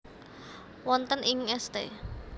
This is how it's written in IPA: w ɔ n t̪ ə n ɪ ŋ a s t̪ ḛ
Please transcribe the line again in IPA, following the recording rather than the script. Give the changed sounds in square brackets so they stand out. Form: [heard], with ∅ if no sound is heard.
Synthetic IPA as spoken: w ɔ n t̪ ə n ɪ ŋ [ɛ] s t̪ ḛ